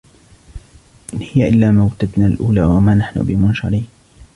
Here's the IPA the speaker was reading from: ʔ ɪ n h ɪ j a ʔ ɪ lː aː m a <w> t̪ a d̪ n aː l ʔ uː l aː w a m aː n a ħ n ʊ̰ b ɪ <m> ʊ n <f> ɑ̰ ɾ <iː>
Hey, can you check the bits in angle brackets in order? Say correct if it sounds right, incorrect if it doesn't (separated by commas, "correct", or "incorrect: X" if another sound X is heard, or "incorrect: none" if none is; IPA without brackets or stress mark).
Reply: correct, correct, incorrect: ʃ, correct